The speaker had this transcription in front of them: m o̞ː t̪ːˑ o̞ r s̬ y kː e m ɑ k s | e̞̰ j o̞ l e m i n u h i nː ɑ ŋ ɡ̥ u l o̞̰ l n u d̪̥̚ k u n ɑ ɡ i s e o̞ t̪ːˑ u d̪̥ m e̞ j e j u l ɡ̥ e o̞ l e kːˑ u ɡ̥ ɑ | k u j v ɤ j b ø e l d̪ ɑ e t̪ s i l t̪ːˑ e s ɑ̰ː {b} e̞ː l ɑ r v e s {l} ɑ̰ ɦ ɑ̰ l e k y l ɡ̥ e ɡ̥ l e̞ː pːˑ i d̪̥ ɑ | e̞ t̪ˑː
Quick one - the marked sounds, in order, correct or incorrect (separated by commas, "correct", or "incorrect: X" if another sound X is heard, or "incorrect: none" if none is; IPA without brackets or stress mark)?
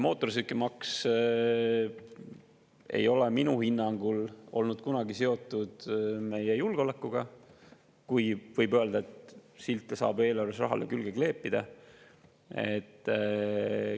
correct, incorrect: r